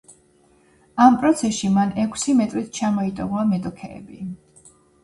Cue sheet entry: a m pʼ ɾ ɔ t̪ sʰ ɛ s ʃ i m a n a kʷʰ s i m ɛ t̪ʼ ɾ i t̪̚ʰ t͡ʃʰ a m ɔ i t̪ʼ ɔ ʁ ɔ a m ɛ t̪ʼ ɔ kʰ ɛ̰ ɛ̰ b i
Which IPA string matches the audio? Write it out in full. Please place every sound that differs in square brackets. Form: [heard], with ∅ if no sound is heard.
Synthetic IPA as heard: a m pʼ ɾ ɔ t̪ sʰ ɛ s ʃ i m a n [ɛ] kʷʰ s i m ɛ t̪ʼ ɾ i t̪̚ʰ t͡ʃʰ a m ɔ i t̪ʼ ɔ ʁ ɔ a m ɛ t̪ʼ ɔ kʰ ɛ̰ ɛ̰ b i